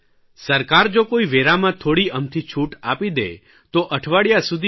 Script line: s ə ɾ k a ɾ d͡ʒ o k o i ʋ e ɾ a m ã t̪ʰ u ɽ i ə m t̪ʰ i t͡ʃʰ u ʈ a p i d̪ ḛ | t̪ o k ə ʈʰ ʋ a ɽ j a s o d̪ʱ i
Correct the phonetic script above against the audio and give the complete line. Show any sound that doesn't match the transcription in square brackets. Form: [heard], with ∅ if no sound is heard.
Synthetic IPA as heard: s ə ɾ k a ɾ d͡ʒ o k o i ʋ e ɾ a m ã t̪ʰ [o] ɽ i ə m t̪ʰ i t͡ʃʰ u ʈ a p i d̪ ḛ | t̪ o [ʔ] ə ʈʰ ʋ a ɽ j a s [u] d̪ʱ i